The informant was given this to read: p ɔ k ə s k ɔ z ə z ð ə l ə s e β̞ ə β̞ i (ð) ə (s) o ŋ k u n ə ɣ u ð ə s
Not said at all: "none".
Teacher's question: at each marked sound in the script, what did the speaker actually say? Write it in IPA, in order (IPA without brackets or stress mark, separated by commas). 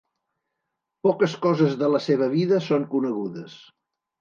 ð, s